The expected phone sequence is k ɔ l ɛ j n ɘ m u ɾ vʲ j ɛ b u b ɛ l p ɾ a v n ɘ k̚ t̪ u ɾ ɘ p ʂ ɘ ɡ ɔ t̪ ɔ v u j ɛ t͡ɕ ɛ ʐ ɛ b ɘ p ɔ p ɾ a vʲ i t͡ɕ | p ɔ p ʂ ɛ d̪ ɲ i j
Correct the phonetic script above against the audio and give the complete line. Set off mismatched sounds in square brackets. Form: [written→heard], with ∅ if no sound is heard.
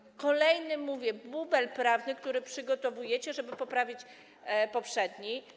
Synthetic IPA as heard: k ɔ l ɛ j n ɘ m u [ɾ→∅] vʲ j ɛ b u b ɛ l p ɾ a v n ɘ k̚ t̪ u ɾ ɘ p ʂ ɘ ɡ ɔ t̪ ɔ v u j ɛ t͡ɕ ɛ ʐ ɛ b ɘ p ɔ p ɾ a vʲ i t͡ɕ | p ɔ p ʂ ɛ d̪ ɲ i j